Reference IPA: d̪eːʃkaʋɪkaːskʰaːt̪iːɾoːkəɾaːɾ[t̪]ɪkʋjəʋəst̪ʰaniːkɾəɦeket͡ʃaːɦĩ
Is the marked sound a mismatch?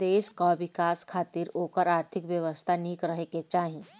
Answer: yes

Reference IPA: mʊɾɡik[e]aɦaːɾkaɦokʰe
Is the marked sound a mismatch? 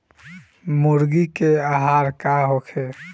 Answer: no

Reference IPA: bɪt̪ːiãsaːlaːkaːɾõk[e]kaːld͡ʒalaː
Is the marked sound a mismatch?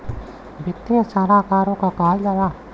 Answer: yes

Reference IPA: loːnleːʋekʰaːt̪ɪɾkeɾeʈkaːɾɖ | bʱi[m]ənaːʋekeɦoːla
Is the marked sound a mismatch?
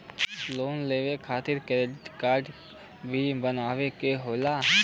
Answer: yes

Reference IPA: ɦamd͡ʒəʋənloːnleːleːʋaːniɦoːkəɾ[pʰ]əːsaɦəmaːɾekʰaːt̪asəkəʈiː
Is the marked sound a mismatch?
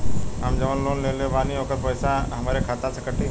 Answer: yes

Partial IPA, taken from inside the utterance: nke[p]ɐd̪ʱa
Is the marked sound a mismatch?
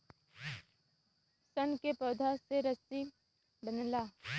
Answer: no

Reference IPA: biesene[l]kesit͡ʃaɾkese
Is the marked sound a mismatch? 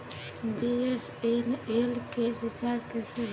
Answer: no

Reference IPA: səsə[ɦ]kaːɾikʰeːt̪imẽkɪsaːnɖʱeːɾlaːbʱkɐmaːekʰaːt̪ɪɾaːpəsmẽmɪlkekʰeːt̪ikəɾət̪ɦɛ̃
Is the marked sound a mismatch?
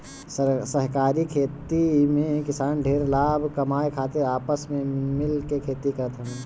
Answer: no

